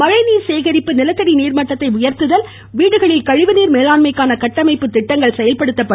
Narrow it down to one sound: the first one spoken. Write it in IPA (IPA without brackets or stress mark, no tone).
m